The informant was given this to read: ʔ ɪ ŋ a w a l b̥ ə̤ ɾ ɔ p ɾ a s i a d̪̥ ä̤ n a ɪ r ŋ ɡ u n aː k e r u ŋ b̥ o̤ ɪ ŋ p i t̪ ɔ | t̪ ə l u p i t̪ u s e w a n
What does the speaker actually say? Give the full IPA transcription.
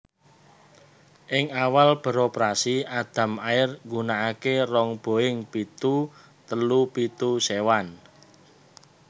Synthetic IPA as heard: ʔ ɪ ŋ a w a l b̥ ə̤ ɾ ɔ p ɾ a s i a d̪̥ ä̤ m a ɪ r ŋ ɡ u n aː k e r ɔ ŋ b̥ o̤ ɪ ŋ p i t̪ u | t̪ ə l u p i t̪ u s e w a n